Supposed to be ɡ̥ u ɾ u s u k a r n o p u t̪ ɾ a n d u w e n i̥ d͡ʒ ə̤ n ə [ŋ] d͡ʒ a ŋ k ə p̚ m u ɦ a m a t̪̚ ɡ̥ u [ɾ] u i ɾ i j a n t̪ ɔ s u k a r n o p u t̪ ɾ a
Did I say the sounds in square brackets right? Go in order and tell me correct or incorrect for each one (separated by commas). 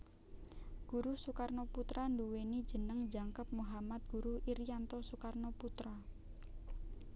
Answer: correct, correct